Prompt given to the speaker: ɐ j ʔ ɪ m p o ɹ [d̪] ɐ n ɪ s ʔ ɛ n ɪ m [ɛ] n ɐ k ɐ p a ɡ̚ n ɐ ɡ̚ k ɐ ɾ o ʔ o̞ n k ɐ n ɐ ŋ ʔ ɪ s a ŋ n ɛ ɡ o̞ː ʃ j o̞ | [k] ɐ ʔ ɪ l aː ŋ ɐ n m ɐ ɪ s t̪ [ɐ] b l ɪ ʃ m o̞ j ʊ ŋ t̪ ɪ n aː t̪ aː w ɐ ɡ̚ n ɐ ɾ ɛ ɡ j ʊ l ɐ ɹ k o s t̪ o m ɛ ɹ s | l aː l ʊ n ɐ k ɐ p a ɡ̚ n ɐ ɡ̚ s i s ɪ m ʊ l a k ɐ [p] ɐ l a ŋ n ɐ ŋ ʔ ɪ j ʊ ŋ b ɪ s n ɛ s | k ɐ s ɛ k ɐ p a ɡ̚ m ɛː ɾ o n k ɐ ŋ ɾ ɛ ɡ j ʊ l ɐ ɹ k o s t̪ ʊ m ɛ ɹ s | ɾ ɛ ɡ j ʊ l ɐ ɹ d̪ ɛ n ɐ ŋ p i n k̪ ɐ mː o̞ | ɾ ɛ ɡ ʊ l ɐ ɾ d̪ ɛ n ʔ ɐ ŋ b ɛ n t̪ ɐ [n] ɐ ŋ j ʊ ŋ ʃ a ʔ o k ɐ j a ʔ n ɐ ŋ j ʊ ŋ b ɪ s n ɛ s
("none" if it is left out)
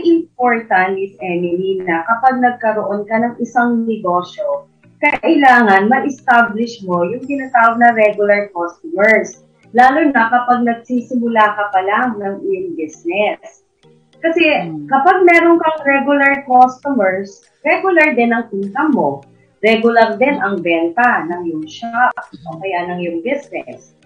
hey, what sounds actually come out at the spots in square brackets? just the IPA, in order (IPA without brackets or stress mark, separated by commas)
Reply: t̪, i, k, a, p, n